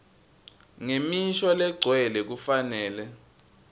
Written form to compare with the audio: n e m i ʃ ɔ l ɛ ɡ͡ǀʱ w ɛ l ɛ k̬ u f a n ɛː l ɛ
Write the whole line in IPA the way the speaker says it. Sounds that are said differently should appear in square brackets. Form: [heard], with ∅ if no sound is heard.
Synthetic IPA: [ŋ] e m i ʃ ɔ l ɛ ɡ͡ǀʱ w ɛ l ɛ k̬ u f a n ɛː l ɛ

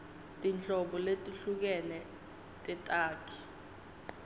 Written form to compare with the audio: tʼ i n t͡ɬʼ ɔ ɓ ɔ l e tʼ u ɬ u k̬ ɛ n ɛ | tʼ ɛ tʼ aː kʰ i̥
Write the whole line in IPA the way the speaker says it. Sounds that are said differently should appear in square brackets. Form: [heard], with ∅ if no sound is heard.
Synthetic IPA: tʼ i n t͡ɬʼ ɔ ɓ ɔ l e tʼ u ɬ u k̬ ɛ n ɛ | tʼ ɛ tʼ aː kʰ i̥

